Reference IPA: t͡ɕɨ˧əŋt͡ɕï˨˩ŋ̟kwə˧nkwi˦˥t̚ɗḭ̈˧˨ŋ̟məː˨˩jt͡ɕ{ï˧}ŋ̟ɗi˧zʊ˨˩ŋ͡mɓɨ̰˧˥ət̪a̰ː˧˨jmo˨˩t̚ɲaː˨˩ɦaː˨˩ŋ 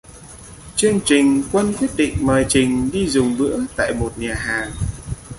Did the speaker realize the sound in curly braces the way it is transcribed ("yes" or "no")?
no